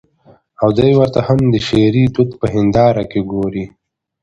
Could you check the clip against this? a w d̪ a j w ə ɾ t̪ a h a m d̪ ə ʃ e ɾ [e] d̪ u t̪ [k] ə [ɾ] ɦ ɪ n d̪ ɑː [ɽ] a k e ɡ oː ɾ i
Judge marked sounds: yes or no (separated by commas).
no, no, no, no